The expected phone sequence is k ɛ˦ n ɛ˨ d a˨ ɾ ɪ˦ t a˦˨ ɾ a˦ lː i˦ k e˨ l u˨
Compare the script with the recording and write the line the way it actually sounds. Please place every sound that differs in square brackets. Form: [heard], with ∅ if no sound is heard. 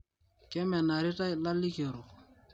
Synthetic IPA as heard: k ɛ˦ [m] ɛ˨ [n] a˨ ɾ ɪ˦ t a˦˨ [l] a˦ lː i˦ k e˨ [ɾ] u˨

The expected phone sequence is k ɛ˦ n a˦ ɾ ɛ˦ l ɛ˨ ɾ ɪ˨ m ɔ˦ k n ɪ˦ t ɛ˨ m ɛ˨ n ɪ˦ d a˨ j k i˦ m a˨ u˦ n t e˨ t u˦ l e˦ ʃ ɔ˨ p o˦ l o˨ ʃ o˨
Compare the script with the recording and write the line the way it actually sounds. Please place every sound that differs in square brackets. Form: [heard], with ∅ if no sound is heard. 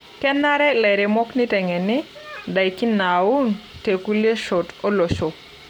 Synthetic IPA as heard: k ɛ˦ n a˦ ɾ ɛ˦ l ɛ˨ ɾ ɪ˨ m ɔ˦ k n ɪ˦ t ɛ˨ [ŋ] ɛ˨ n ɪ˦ d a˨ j k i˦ [n] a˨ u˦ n t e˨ [k] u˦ l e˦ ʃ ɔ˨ [t] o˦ l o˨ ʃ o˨

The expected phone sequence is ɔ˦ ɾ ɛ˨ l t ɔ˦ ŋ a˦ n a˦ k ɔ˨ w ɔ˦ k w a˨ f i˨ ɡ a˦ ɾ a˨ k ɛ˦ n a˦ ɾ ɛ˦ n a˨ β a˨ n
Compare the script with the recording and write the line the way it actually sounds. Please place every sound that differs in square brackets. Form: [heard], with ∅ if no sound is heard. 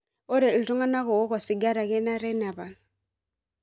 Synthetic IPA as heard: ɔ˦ ɾ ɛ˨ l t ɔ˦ ŋ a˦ n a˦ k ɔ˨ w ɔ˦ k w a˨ [s] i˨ ɡ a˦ ɾ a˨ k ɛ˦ n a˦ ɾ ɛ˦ n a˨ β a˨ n

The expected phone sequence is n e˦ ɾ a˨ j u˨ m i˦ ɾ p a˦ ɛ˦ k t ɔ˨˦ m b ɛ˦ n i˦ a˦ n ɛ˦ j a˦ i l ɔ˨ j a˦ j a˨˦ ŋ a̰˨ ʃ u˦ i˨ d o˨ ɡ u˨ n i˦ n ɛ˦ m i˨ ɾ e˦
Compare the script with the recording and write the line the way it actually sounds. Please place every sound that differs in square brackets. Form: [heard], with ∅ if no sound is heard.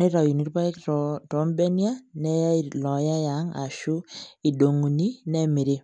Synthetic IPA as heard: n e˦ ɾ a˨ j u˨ [n] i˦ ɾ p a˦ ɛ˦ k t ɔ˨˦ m b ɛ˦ n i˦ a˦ n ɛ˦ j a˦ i l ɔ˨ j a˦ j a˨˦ ŋ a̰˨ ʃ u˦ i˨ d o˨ [ŋ] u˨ n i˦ n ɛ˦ m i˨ ɾ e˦

